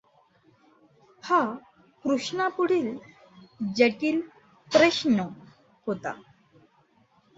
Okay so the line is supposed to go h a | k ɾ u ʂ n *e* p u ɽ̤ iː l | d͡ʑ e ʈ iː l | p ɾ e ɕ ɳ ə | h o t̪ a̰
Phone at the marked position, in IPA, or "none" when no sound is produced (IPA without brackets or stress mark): a